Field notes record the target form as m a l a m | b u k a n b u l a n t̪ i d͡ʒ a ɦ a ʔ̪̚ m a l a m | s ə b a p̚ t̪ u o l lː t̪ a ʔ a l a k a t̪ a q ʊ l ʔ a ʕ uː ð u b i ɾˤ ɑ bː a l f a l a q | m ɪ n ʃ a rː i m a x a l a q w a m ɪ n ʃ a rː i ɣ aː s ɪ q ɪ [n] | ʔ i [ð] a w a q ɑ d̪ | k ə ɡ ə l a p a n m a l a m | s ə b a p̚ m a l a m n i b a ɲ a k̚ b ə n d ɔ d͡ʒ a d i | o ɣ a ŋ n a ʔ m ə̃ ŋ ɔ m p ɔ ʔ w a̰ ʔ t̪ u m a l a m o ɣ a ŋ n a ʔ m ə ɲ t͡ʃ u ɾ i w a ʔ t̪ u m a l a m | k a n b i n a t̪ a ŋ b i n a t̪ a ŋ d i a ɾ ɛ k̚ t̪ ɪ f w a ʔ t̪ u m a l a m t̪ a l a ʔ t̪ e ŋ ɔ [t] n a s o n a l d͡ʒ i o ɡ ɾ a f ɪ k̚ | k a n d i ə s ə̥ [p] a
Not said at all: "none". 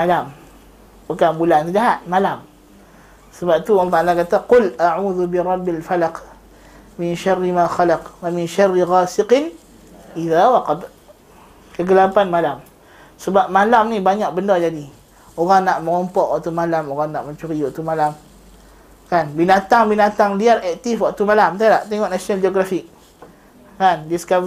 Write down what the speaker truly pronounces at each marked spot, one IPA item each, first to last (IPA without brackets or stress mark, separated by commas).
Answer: n, ð, ʔ, k